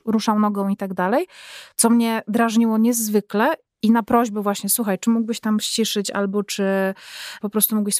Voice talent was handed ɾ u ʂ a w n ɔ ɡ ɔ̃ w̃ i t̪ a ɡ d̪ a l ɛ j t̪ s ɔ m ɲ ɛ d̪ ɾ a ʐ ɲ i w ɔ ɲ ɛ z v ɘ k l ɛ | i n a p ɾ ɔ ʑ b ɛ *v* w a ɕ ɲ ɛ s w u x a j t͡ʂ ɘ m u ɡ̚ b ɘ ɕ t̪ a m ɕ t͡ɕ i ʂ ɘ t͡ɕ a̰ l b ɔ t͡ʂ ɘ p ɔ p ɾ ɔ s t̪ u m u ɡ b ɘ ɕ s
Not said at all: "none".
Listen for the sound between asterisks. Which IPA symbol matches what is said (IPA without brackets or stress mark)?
v